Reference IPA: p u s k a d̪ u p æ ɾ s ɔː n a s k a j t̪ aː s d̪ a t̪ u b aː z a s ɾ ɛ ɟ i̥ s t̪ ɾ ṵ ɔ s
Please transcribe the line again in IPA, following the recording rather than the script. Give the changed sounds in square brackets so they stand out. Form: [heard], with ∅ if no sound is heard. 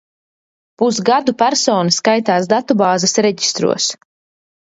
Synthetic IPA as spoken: p u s [ɡ] a d̪ u p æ ɾ s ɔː n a s k a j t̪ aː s d̪ a t̪ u b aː z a s ɾ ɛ ɟ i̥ s t̪ ɾ ṵ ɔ s